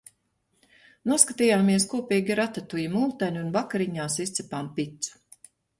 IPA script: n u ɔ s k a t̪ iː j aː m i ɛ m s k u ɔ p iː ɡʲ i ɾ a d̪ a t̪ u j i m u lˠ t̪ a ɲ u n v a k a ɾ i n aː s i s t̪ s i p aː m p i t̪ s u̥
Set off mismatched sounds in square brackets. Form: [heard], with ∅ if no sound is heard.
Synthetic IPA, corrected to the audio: n u ɔ s k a t̪ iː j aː m i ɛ [∅] s k u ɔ p iː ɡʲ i ɾ a [t̪] a t̪ u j i m u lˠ t̪ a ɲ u n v a k a ɾ i [ɲ] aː s i s t̪ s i p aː m p i t̪ s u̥